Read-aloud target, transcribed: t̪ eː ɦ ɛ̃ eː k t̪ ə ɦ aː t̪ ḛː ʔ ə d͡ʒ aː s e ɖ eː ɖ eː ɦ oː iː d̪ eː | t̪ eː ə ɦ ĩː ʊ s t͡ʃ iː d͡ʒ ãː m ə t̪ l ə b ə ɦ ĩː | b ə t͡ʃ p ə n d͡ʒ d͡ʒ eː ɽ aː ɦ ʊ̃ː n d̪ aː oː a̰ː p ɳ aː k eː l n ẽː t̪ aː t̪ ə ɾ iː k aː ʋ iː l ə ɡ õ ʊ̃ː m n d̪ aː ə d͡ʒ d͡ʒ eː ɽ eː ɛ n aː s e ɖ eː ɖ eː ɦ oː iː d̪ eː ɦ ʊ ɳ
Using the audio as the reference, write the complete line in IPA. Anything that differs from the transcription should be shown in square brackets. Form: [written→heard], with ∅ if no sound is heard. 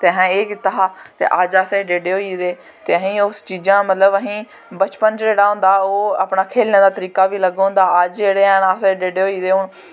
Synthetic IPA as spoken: t̪ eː ɦ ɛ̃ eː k t̪ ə ɦ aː t̪ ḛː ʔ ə d͡ʒ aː s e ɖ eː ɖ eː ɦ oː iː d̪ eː | t̪ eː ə ɦ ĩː ʊ s t͡ʃ iː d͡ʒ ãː m ə t̪ l ə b ə ɦ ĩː | b ə t͡ʃ p ə n d͡ʒ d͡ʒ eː ɽ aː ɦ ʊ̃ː n d̪ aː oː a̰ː p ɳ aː [k→kʰ] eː l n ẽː [t̪→d̪] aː t̪ ə ɾ iː k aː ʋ iː l ə ɡ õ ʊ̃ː [m→∅] n d̪ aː ə d͡ʒ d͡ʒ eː ɽ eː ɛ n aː s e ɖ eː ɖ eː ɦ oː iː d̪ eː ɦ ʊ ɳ